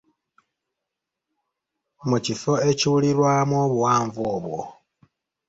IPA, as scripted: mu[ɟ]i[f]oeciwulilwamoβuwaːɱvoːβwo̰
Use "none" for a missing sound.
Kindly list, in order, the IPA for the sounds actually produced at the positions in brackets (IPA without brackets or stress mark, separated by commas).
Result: c, f